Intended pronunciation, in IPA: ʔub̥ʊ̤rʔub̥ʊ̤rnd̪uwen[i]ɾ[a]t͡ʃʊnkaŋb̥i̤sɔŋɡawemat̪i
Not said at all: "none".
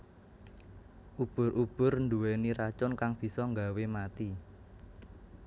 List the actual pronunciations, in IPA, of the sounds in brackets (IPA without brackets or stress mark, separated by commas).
i, a